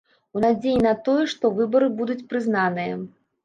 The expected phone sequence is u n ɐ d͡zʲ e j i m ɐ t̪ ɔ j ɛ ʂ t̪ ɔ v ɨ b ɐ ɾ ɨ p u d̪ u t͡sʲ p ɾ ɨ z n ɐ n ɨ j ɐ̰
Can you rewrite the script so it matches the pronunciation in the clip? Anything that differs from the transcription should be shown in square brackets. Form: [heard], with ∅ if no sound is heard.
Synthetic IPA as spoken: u n [a] d͡zʲ e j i [n] ɐ t̪ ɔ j ɛ ʂ t̪ ɔ v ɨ b ɐ ɾ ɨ [b] u d̪ u t͡sʲ p ɾ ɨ z n [a] n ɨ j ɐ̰